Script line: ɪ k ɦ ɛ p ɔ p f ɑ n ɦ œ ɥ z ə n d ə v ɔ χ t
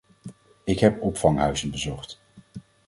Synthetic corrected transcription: ɪ k ɦ ɛ p ɔ p f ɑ ŋ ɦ œ ɥ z ə n b ə z ɔ χ t